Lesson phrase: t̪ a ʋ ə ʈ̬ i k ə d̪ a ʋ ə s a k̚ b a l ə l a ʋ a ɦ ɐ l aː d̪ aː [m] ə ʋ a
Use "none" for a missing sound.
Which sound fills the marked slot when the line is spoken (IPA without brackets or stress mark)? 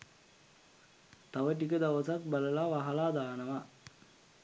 n